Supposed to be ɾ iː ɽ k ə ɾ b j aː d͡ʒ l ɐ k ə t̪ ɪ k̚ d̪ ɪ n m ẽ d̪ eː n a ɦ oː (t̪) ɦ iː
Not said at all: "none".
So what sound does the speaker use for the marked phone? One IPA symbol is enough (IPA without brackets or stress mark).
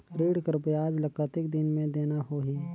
none